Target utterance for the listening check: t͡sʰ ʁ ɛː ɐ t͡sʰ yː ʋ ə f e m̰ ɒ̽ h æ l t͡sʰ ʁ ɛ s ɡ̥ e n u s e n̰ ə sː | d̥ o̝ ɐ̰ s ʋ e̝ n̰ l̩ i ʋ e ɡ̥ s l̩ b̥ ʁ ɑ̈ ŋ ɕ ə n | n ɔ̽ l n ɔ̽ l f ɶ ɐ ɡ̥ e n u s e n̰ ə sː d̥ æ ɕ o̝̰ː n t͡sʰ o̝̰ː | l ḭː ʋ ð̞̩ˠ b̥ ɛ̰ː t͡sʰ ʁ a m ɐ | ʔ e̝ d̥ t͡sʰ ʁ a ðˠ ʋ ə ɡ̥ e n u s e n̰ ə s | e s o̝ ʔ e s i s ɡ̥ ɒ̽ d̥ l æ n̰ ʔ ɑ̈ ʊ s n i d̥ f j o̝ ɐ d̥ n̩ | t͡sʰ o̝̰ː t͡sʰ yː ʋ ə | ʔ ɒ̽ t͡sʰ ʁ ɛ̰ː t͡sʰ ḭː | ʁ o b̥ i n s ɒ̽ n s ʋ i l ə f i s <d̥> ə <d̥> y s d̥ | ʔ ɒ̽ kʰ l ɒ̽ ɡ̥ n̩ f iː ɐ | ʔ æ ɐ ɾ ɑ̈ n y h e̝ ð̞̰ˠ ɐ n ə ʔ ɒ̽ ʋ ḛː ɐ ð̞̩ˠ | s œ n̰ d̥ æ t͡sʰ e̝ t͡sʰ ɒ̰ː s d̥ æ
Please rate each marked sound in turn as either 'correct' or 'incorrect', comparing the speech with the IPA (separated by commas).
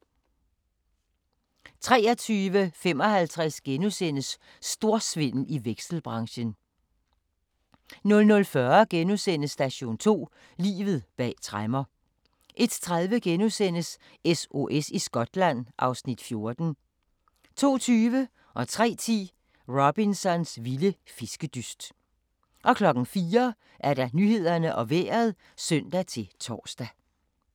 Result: incorrect, correct